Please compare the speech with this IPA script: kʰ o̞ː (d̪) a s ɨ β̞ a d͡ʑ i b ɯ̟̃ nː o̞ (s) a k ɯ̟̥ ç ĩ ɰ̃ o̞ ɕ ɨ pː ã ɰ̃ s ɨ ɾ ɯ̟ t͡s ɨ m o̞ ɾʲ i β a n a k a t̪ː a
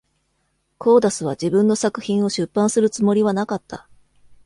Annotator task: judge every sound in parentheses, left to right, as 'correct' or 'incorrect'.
correct, correct

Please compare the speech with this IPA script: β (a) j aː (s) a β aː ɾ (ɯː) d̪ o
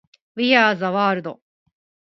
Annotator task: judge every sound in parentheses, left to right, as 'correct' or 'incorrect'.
incorrect: i, incorrect: z, incorrect: ɯ

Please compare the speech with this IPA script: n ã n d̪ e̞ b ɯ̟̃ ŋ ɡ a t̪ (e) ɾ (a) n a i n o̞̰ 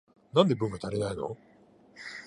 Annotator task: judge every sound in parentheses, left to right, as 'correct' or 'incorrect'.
incorrect: a, incorrect: e

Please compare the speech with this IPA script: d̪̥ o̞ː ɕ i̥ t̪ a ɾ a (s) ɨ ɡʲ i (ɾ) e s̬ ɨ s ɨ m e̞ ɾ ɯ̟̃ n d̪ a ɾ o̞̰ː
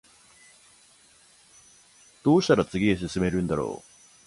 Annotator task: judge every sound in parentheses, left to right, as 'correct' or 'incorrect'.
incorrect: t͡s, incorrect: none

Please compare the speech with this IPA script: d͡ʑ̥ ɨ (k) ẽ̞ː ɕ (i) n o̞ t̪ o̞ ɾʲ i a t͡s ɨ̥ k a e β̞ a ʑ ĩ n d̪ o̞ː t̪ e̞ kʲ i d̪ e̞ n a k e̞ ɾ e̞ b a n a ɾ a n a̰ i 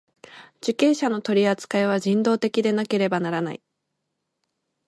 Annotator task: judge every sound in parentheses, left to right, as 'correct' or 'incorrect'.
correct, incorrect: a

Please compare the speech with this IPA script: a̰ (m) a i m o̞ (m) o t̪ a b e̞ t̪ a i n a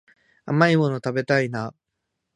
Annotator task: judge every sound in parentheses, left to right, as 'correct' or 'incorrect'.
correct, incorrect: n

